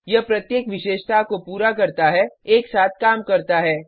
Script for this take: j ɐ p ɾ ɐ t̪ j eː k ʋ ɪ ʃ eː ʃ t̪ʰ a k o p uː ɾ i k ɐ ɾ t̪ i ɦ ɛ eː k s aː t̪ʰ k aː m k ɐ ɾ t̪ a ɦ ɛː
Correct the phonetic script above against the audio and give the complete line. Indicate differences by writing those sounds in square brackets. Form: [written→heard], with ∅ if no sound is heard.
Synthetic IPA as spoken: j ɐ p ɾ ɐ t̪ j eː k ʋ ɪ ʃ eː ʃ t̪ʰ a k o p uː ɾ [i→a] k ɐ ɾ t̪ [i→a] ɦ ɛ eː k s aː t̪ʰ k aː m k ɐ ɾ t̪ a ɦ ɛː